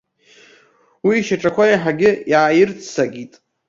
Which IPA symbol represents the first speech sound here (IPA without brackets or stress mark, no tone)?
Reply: w